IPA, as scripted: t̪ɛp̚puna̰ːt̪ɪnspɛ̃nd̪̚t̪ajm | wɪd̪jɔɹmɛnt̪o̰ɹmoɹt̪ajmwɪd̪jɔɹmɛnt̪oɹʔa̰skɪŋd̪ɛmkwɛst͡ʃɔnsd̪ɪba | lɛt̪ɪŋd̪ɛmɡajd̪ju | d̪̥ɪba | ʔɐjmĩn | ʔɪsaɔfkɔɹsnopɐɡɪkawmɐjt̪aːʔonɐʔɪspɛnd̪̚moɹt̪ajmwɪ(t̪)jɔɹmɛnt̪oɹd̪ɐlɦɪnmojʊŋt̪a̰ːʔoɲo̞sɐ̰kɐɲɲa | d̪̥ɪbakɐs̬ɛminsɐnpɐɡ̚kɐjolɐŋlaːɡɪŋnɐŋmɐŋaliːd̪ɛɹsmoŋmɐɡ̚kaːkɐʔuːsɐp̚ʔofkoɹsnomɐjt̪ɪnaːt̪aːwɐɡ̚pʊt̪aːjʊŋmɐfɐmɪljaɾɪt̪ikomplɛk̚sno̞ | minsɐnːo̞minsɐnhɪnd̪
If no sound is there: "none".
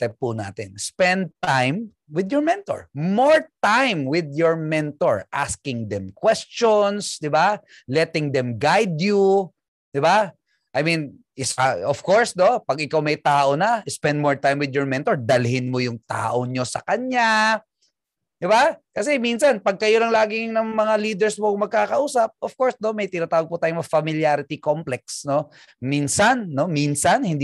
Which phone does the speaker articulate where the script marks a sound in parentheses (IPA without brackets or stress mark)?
d̪